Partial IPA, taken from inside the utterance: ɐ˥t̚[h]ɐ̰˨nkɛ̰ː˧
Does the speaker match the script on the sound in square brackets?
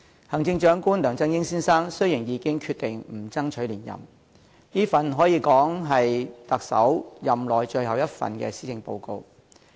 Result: no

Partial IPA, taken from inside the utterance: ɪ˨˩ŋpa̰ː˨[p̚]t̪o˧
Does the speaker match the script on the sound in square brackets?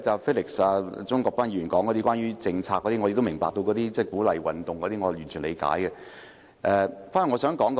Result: no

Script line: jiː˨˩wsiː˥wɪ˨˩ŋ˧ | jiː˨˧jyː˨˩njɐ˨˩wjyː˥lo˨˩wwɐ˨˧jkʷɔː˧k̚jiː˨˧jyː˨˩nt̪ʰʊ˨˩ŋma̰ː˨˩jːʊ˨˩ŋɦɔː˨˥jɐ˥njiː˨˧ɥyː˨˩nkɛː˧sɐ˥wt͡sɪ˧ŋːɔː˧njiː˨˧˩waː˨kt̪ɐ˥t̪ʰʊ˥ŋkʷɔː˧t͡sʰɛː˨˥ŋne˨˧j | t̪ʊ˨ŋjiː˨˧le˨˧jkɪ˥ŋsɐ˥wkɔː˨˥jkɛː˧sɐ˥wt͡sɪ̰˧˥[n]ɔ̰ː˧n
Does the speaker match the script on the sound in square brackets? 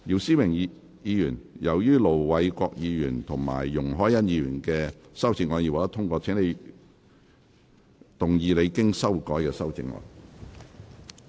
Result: no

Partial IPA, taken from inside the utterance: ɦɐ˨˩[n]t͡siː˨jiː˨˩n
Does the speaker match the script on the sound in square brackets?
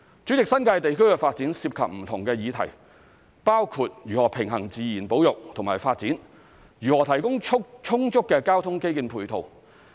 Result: no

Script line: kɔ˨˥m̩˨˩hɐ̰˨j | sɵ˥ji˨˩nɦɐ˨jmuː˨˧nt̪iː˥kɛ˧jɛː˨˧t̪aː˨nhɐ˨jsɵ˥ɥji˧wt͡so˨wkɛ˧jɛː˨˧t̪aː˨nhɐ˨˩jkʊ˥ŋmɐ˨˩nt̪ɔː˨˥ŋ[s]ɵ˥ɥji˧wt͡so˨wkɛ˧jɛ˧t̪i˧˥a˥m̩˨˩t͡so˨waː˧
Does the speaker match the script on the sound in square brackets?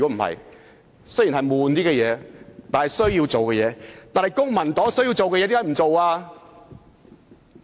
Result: yes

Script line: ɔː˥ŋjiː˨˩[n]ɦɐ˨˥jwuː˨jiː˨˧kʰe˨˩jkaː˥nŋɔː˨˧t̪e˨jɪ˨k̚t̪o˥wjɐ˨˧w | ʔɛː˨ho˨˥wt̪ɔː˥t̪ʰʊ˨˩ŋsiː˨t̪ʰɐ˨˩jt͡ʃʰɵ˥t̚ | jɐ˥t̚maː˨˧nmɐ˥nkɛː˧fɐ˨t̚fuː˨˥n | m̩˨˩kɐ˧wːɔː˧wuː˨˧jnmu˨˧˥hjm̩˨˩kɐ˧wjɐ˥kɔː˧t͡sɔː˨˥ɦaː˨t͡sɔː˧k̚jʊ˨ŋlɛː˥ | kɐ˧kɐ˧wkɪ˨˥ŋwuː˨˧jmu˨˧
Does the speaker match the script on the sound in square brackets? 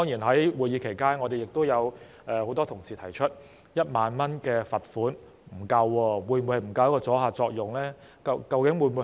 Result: yes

